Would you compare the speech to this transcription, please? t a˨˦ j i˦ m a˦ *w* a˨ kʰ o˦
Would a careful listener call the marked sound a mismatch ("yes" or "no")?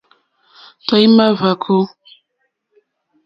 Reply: yes